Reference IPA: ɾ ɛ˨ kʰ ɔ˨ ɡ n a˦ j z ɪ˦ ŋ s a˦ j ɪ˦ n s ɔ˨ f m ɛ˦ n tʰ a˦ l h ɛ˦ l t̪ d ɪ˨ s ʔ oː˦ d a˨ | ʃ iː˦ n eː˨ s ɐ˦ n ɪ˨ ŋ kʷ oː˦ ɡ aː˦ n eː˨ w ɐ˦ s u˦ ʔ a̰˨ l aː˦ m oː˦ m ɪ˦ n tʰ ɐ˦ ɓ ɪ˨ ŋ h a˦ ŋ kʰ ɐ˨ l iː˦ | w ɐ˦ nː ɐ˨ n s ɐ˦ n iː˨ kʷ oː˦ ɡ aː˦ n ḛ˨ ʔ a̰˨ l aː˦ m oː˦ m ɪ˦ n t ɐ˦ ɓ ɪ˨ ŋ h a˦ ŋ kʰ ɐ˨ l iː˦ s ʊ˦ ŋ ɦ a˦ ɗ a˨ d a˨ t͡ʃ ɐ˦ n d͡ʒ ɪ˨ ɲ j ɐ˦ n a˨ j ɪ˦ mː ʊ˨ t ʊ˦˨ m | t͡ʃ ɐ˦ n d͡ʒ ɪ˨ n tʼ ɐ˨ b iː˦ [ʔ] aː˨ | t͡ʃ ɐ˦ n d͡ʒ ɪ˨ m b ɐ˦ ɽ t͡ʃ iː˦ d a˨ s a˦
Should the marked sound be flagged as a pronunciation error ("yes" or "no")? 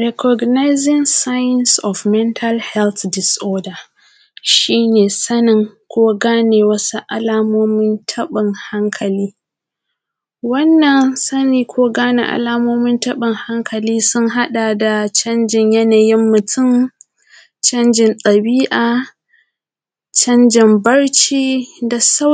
no